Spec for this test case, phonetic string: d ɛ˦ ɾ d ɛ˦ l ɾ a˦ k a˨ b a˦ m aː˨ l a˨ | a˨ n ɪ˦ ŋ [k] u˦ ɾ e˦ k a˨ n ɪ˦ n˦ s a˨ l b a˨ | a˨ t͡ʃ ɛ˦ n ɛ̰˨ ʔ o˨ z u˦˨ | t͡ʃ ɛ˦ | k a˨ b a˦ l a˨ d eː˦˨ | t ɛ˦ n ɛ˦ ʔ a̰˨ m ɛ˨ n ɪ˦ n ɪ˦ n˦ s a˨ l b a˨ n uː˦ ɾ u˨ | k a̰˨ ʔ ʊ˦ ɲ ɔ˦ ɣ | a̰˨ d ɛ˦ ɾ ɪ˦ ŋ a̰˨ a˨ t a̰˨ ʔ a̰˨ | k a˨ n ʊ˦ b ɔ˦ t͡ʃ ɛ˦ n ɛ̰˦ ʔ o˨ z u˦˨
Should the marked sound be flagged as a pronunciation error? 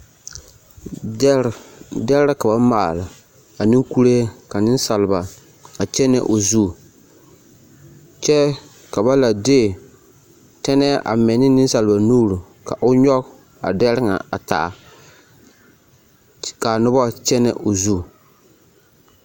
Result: no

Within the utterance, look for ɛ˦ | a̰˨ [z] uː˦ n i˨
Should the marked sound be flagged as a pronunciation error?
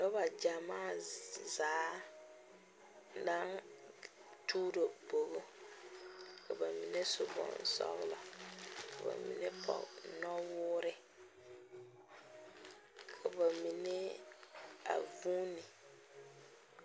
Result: yes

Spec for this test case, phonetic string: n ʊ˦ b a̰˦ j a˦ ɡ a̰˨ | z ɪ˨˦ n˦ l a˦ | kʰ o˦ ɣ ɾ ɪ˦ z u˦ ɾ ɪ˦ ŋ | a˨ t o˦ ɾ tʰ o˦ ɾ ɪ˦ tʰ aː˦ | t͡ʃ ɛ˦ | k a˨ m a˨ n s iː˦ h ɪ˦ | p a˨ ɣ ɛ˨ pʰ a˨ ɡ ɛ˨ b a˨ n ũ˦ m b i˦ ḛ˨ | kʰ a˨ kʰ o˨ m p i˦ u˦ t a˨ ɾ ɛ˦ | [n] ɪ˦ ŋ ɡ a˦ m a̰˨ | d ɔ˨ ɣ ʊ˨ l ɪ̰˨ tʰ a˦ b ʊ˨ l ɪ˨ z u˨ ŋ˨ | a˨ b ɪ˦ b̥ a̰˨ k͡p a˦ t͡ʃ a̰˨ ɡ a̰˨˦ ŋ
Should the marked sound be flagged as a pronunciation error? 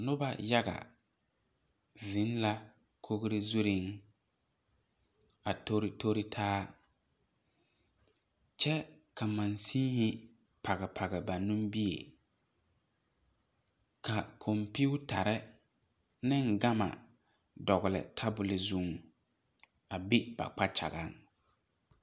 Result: no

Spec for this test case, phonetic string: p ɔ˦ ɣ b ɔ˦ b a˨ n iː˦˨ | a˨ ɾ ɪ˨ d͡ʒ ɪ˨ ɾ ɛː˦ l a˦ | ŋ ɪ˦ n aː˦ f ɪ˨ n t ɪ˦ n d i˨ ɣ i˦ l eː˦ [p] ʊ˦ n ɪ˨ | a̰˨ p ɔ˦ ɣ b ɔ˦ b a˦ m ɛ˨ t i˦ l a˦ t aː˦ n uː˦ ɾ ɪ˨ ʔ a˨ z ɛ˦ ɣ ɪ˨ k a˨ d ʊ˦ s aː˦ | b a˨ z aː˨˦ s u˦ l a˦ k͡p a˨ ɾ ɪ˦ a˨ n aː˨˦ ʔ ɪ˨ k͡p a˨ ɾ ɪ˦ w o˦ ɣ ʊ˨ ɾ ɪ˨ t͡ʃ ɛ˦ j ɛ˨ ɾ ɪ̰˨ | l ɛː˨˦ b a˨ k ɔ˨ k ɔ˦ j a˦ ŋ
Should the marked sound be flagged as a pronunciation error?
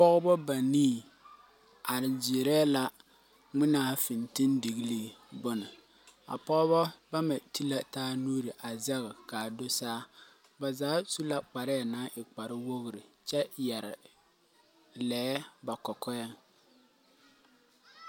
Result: yes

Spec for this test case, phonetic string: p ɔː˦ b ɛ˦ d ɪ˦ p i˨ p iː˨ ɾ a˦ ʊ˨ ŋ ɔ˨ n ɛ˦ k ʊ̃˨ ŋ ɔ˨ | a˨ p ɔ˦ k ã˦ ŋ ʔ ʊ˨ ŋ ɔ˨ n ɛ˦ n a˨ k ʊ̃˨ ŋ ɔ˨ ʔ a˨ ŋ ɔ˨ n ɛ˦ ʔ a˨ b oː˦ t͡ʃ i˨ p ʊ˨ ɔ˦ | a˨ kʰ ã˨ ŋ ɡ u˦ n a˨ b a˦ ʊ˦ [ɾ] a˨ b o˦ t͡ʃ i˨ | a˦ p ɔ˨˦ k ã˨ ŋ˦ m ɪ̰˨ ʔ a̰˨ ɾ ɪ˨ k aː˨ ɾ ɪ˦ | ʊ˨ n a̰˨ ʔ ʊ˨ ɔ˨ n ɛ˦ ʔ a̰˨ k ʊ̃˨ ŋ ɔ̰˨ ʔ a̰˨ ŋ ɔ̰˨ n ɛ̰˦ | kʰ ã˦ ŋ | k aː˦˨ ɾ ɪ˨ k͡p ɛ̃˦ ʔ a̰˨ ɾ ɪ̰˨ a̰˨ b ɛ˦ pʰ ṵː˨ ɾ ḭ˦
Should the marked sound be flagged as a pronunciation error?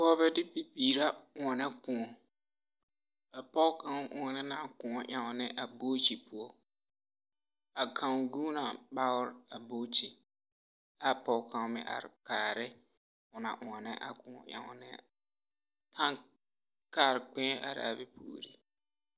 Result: no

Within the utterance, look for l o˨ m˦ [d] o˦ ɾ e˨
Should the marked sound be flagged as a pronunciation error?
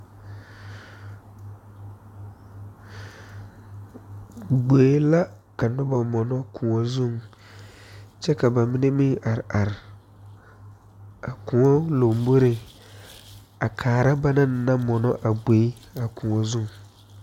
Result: yes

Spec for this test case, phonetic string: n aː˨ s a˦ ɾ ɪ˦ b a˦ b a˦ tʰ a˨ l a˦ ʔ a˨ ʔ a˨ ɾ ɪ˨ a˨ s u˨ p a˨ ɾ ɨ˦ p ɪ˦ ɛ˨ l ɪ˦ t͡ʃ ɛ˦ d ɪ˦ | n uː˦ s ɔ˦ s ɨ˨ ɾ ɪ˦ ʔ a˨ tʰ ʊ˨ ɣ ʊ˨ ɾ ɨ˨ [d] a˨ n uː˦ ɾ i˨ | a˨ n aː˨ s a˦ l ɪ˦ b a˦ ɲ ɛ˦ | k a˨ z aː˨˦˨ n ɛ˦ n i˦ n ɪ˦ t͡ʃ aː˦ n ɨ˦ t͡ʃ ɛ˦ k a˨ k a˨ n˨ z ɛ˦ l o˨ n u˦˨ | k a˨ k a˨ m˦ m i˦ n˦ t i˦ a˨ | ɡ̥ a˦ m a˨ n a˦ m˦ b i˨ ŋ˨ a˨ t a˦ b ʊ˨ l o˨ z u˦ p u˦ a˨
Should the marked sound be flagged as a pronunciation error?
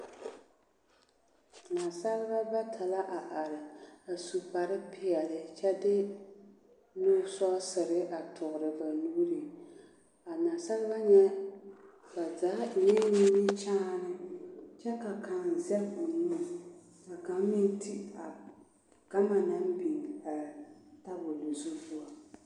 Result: yes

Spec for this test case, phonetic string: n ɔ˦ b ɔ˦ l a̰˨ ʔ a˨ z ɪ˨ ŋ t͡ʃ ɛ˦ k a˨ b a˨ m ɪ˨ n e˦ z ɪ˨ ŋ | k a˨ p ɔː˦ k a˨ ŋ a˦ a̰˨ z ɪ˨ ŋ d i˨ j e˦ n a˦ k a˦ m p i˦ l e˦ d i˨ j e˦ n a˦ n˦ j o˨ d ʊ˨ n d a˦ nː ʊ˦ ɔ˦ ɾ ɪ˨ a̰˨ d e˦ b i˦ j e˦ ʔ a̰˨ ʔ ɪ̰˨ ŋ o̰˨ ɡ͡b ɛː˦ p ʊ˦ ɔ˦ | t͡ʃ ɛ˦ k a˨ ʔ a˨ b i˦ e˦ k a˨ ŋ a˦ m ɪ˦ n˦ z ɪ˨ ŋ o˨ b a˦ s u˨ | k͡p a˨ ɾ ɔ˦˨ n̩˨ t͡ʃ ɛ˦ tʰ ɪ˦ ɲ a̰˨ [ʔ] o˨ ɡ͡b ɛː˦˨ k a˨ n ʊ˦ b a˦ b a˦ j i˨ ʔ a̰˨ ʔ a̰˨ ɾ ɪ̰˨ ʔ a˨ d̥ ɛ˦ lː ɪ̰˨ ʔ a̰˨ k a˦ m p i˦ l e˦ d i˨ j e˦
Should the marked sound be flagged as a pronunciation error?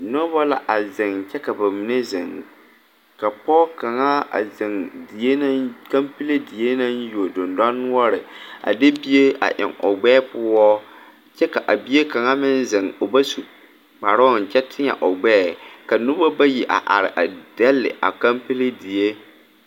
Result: no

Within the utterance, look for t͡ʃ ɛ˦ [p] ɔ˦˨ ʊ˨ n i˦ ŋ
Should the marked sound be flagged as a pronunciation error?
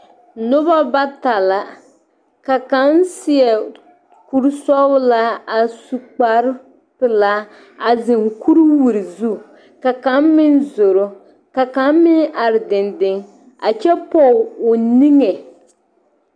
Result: no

